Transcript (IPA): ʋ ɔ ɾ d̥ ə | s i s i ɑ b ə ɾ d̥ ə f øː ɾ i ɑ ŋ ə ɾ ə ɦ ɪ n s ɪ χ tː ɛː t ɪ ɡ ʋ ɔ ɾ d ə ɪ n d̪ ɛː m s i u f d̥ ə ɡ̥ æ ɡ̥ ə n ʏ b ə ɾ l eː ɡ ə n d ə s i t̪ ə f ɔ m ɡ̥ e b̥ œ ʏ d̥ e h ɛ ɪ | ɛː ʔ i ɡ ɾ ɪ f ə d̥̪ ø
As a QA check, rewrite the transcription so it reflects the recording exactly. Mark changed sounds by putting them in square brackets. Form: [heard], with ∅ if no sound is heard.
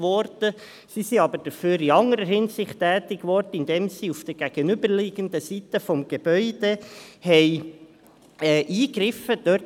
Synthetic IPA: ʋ ɔ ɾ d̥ ə | s i s i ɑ b ə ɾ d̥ ə f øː ɾ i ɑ ŋ ə ɾ ə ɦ ɪ n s ɪ χ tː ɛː t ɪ ɡ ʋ ɔ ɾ d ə ɪ n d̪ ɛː m s i u f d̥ ə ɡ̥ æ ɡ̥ ə n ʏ b ə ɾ l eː ɡ ə n d ə s i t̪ ə f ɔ m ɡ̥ e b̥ œ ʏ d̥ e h ɛ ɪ | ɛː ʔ [iː] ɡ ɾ ɪ f ə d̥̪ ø

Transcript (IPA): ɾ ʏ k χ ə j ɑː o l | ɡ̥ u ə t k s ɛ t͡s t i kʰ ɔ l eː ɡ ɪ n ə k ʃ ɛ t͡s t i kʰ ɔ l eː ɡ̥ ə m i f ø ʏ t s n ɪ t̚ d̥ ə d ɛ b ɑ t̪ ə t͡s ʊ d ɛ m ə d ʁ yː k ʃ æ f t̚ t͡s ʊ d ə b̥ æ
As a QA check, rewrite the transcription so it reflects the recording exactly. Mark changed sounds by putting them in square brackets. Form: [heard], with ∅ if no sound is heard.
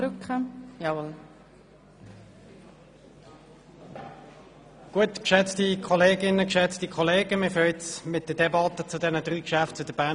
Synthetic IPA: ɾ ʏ k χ ə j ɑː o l | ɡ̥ u ə t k [ʃ] ɛ t͡s t i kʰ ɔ l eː ɡ ɪ n ə k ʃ ɛ t͡s t i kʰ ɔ l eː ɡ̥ ə m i f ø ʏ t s [m] ɪ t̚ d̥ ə d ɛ b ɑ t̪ ə t͡s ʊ d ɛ [n] ə d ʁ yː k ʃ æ f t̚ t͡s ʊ d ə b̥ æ

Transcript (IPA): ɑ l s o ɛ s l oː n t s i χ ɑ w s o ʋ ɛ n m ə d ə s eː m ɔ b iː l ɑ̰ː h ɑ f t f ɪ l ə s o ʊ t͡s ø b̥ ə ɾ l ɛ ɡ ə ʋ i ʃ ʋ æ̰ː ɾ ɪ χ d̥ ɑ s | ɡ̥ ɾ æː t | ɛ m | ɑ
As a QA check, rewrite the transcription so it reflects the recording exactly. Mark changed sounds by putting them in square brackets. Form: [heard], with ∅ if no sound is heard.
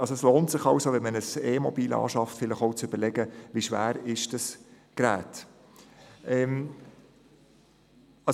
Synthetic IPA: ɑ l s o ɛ s l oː n t s [ɪ] χ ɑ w s o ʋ ɛ n m ə [n] ə s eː m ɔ b iː l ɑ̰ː [ʃ] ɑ f t f ɪ l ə [χ] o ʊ t͡s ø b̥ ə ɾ l ɛ ɡ ə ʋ i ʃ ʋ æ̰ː ɾ ɪ [ʃ] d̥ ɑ s | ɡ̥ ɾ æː t | ɛ m | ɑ

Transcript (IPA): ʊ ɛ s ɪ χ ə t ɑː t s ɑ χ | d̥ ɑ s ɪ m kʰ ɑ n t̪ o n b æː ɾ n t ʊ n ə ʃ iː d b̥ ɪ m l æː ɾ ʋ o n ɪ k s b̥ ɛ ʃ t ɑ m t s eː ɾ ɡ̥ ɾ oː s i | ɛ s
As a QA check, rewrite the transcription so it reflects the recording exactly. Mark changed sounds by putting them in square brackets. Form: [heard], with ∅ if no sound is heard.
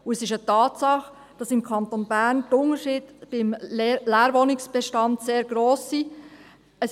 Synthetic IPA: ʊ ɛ s ɪ [ʃ] ə t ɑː t s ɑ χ | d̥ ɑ s ɪ m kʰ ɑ n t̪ o n b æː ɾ n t ʊ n ə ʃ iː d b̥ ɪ m l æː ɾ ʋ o n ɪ k s b̥ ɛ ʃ t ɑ [n] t s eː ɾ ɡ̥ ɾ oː s i | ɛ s

